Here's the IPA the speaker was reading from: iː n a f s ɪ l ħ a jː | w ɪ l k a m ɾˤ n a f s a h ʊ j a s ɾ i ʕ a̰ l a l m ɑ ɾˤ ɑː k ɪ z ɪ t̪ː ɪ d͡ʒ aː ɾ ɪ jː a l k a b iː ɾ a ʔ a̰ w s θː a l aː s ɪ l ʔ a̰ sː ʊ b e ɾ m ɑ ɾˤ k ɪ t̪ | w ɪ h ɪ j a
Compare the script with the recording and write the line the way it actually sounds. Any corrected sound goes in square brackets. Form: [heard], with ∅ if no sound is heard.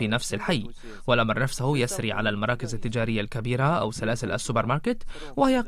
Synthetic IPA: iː n a f s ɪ l ħ a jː | w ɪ l [ʔ] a m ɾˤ n a f s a h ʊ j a s ɾ i ʕ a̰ l a l m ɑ ɾˤ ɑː k ɪ z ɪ t̪ː ɪ d͡ʒ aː ɾ ɪ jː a l k a b iː ɾ a ʔ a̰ w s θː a l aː s ɪ l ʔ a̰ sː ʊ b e ɾ m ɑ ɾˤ k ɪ t̪ | w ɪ h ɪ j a